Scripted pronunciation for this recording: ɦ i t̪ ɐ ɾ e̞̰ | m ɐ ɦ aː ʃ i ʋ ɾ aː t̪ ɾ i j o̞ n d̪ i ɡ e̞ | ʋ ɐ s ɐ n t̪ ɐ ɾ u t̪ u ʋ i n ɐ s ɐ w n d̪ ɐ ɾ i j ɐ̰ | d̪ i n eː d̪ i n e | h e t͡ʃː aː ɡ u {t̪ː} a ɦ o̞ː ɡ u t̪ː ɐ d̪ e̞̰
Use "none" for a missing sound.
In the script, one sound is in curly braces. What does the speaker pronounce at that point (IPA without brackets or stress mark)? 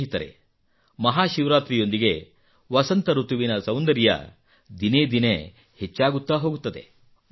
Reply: t̪ː